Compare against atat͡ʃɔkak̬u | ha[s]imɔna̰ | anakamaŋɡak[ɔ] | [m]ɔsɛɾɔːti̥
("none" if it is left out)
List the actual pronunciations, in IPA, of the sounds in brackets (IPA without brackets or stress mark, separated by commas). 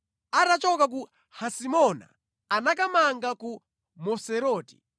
s, u, m